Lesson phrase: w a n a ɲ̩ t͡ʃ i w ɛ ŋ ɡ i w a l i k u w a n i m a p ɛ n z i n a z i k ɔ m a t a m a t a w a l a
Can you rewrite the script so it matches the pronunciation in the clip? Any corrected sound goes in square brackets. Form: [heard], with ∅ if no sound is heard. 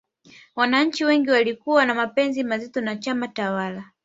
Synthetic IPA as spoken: w a n a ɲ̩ t͡ʃ i w ɛ ŋ ɡ i w a l i k u w a n [a] m a p ɛ n z i [m] a z i [t] ɔ [n] a [t͡ʃ] a m a t a w a l a